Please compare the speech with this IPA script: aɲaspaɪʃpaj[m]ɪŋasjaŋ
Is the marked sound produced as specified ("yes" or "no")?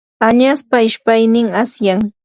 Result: no